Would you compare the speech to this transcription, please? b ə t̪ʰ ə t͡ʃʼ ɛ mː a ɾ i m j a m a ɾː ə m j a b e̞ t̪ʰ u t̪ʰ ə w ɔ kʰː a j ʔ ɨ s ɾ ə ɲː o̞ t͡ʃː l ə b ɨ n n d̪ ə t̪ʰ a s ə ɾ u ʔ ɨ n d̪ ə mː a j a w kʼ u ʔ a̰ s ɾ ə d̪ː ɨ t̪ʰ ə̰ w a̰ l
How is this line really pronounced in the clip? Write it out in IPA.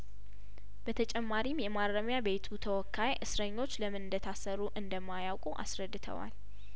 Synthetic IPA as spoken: b ə t̪ʰ ə t͡ʃʼ ɛ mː a ɾ i m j ɛ m a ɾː ə m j a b e̞ t̪ʰ u t̪ʰ ə w ɔ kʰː a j ʔ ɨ s ɾ ə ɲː o̞ t͡ʃː l ə m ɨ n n d̪ ə t̪ʰ a s ə ɾ u ʔ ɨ n d̪ ə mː a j a w kʼ u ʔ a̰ s ɾ ə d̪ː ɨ t̪ʰ ə̰ w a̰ l